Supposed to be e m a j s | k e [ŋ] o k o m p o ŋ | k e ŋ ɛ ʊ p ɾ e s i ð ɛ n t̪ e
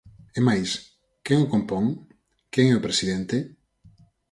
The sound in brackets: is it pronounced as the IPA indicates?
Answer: yes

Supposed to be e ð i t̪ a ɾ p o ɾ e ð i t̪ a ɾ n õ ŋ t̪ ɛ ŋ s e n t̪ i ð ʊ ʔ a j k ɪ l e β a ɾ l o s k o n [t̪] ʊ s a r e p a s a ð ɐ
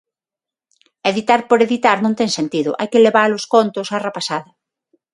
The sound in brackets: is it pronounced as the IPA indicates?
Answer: yes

